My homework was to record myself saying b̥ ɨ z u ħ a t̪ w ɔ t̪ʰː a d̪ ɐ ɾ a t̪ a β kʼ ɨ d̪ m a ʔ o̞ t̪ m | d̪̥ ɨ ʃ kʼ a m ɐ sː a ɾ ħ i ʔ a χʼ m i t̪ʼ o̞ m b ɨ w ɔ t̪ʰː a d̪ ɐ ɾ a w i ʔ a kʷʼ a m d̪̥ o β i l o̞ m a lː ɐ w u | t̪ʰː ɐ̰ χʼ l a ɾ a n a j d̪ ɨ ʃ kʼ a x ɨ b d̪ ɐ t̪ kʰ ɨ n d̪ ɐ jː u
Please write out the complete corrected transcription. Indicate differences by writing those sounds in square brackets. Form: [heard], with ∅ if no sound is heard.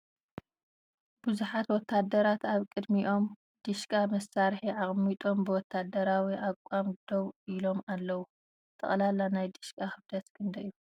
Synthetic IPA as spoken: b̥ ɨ z u ħ a t̪ w ɔ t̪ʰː a d̪ ɐ ɾ a t̪ a β kʼ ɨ d̪ m [i] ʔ o̞ [∅] m | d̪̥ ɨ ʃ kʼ a m ɐ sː a ɾ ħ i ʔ a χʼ m i t̪ʼ o̞ m b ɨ w ɔ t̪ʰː a d̪ ɐ ɾ a w i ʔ a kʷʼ a m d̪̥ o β i l o̞ m a lː ɐ w u | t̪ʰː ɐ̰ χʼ l a [l] a n a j d̪ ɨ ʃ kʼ a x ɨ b d̪ ɐ t̪ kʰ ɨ n d̪ ɐ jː u